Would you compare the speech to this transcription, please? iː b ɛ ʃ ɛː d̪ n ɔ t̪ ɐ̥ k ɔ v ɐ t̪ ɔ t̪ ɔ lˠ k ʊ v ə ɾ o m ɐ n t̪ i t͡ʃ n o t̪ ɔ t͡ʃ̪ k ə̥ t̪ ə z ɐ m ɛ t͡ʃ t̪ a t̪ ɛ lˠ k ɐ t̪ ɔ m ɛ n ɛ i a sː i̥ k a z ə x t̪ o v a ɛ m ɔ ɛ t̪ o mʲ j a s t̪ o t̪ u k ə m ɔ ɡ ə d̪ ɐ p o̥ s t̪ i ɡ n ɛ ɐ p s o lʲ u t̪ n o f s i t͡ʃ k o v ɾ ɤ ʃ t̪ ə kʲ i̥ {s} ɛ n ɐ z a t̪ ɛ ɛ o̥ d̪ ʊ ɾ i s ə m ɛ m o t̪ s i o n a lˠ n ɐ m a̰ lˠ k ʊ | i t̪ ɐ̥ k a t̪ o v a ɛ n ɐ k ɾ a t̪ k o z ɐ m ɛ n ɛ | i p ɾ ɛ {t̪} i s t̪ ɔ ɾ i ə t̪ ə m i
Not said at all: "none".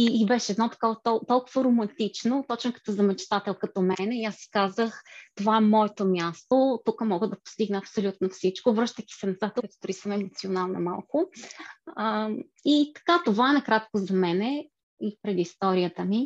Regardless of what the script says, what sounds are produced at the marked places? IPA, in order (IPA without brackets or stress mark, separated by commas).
s, d̪